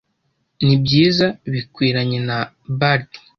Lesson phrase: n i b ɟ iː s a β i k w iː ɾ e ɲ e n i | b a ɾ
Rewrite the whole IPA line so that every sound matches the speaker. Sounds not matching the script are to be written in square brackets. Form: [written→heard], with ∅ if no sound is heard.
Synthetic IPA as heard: n i b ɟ iː [s→z] a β i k w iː ɾ [e→a] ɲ e n [i→a] | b a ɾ

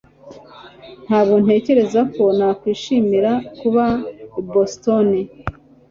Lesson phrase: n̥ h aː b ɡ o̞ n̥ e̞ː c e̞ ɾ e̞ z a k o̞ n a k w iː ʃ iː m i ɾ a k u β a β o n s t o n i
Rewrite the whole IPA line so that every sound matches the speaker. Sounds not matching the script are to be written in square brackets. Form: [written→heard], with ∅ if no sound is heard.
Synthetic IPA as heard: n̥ h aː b ɡ o̞ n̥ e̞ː c e̞ ɾ e̞ z a k o̞ n a k w iː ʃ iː m i ɾ a k u β a [β→b] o [n→∅] s t o n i

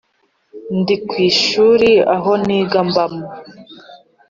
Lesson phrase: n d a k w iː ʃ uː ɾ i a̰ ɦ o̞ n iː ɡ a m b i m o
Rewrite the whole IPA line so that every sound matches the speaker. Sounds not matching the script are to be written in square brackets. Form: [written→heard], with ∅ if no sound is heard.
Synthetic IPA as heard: n d [a→i] k w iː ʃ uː ɾ i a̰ ɦ o̞ n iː ɡ a m b [i→a] m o

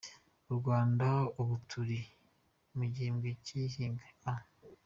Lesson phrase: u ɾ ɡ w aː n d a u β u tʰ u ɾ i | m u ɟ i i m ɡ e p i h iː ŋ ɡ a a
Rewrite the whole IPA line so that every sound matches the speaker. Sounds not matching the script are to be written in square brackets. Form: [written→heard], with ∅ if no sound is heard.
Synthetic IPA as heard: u ɾ ɡ w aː n d a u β u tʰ u ɾ i | m u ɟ i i m ɡ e [p→c] i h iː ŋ ɡ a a

